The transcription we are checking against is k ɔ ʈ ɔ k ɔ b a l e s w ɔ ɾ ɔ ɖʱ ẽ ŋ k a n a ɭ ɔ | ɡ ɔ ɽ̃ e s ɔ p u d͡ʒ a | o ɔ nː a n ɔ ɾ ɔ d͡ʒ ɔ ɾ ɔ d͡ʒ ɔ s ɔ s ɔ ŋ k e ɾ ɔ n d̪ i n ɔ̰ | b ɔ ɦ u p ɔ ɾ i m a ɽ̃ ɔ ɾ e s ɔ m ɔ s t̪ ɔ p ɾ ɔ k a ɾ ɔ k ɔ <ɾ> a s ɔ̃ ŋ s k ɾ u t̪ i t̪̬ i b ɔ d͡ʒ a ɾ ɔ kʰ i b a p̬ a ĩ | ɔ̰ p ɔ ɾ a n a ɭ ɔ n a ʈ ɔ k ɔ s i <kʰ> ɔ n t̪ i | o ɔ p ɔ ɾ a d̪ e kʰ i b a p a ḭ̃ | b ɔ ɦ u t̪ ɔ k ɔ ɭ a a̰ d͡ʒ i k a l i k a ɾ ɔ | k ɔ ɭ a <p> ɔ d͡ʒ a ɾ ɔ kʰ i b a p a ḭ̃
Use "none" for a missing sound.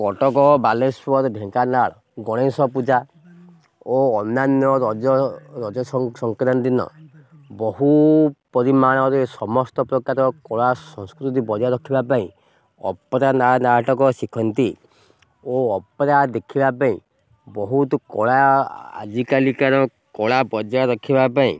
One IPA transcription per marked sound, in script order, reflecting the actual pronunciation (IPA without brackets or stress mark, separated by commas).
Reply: ɭ, kʰ, b